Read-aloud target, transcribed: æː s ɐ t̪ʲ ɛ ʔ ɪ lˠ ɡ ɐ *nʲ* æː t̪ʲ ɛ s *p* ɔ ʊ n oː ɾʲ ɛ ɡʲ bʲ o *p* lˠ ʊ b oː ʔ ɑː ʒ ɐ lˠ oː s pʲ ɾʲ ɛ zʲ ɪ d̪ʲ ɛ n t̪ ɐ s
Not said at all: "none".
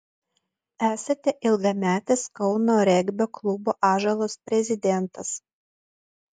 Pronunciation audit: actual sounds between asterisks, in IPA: mʲ, k, k

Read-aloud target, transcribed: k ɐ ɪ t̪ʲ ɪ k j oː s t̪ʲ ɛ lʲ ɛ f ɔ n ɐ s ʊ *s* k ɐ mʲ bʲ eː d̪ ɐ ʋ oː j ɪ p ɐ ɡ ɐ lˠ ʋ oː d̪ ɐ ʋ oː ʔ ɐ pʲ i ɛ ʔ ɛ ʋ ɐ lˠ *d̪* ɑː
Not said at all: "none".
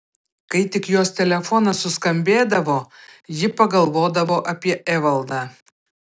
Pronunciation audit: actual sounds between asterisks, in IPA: s, d̪

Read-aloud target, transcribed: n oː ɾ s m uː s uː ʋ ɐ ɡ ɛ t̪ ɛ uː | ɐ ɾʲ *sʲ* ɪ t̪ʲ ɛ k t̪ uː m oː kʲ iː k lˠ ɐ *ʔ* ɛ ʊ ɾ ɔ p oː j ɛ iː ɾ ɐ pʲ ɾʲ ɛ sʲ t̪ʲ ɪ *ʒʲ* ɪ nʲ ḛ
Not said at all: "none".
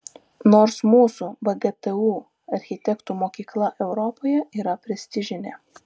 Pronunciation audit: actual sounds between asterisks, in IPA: xʲ, ʔ, ʒʲ

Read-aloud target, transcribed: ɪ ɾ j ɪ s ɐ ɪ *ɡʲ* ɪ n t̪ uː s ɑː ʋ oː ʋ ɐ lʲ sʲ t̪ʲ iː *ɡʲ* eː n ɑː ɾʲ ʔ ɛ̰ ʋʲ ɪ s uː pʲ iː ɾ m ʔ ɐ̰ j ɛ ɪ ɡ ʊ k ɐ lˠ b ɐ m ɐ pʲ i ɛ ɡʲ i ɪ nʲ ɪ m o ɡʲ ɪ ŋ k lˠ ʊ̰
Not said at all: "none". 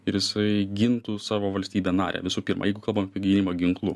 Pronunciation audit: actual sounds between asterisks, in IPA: ɡʲ, bʲ

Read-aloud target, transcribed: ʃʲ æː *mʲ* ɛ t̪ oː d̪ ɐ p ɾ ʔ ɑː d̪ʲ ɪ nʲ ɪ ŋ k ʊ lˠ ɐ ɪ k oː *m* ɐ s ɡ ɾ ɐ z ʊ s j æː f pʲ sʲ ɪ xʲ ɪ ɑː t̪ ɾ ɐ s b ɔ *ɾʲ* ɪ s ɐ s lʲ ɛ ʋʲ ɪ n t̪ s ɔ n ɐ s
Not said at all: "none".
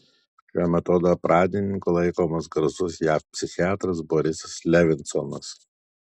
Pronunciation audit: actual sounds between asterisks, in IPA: mʲ, m, ɾʲ

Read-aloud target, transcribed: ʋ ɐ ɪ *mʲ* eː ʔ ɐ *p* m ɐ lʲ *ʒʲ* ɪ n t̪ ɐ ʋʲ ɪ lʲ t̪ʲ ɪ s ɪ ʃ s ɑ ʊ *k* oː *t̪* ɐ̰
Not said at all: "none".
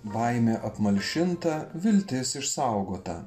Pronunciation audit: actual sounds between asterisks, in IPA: mʲ, p, ʃʲ, ɡ, t̪

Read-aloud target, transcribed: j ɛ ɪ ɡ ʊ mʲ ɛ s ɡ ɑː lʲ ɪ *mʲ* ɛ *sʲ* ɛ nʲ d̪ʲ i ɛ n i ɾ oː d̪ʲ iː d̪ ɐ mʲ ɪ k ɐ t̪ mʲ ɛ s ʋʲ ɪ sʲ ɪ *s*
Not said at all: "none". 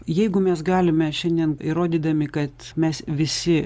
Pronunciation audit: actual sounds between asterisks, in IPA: mʲ, ʃʲ, none

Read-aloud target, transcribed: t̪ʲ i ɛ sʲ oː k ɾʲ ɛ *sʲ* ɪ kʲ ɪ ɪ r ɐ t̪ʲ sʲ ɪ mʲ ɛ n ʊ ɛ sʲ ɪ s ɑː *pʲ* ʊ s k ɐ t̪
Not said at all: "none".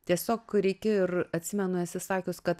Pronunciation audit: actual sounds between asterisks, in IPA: none, kʲ

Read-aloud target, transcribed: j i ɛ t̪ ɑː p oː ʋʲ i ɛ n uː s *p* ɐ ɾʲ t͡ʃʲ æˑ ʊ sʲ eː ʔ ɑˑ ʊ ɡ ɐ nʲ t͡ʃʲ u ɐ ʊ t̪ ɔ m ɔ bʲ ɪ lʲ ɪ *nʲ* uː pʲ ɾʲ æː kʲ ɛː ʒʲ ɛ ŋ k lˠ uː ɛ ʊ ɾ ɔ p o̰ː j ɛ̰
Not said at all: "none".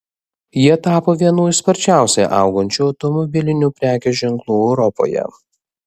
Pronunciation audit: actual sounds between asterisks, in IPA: p, nʲ

